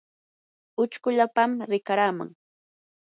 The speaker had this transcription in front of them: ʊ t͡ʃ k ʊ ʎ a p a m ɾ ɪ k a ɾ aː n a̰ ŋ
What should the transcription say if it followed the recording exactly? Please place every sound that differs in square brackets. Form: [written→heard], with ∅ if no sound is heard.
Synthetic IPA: ʊ t͡ʃ k ʊ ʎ a p a m ɾ ɪ k a ɾ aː [n→m] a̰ ŋ

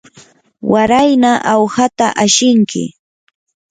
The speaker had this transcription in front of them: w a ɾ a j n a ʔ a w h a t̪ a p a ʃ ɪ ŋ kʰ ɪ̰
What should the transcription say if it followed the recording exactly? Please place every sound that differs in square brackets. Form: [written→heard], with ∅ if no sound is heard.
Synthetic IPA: w a ɾ a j n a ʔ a w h a t̪ a [p→ʔ] a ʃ ɪ ŋ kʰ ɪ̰

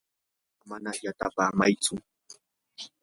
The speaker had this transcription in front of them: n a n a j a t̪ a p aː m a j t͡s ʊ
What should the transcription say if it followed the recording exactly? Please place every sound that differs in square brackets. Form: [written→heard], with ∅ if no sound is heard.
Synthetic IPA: [n→m] a n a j a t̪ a p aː m a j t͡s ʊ

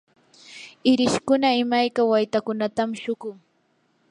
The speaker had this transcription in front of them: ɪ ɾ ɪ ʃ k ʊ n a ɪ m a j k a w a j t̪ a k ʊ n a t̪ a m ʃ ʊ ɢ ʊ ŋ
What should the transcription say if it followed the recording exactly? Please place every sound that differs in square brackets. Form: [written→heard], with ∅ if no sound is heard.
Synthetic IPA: ɪ ɾ ɪ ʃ k ʊ n a ɪ m a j k a w a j t̪ a k ʊ n a t̪ a m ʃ ʊ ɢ ʊ ŋ

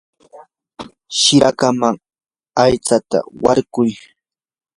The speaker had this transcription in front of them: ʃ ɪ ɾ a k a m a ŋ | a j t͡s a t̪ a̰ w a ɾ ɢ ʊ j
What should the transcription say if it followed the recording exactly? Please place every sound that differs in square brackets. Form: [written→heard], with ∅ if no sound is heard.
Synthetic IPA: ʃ ɪ ɾ a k a m a ŋ | a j t͡s a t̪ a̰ w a ɾ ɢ ʊ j

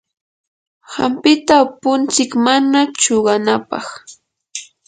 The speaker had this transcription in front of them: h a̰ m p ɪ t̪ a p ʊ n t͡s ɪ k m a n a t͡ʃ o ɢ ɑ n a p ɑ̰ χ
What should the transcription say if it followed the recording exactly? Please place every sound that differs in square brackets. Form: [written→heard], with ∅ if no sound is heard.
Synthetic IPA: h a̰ m p ɪ t̪ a p ʊ n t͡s ɪ k m a n a t͡ʃ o ɢ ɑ n a p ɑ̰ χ

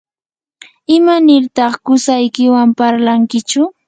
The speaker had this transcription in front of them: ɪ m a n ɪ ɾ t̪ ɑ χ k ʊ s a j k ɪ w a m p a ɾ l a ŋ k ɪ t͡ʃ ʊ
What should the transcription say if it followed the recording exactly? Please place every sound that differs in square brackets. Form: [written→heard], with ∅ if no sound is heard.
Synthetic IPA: ɪ m a n ɪ ɾ t̪ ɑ χ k ʊ s a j k ɪ w a m p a ɾ l a ŋ k ɪ t͡ʃ ʊ

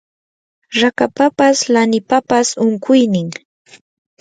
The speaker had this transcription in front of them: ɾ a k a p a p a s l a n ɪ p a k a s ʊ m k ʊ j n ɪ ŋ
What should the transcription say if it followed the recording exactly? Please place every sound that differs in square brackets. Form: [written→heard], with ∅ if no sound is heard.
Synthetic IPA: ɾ a k a p a p a s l a n ɪ p a [k→p] a s ʊ [m→ŋ] k ʊ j n ɪ ŋ

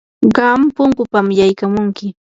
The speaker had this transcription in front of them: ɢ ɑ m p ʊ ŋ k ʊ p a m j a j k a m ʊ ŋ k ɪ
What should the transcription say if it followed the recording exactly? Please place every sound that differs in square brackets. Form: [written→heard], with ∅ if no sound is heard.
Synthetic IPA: ɢ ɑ m p ʊ ŋ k ʊ p a m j a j k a m ʊ ŋ k ɪ

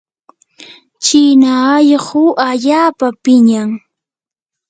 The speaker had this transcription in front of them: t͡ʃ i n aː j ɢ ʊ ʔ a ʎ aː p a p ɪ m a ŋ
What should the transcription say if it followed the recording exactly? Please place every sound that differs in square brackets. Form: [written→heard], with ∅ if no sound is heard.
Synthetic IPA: t͡ʃ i n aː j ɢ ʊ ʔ a ʎ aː p a p ɪ [m→ɲ] a ŋ

